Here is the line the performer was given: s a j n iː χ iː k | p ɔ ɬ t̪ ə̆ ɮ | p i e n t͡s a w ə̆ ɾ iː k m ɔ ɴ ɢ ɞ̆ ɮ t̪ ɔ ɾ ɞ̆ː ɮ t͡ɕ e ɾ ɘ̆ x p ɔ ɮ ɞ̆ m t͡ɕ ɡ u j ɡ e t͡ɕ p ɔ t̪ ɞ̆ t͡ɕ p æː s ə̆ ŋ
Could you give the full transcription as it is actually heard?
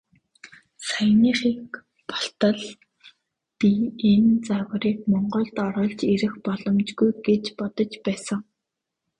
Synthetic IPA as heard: s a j n iː χ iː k | p ɔ ɬ t̪ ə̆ ɮ | p i e n t͡s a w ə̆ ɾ iː k m ɔ ɴ ɢ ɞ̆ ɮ t̪ ɔ ɾ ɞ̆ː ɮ t͡ɕ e ɾ ɘ̆ x p ɔ ɮ ɞ̆ m t͡ɕ ɡ u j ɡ e t͡ɕ p ɔ t̪ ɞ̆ t͡ɕ p æː s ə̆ ŋ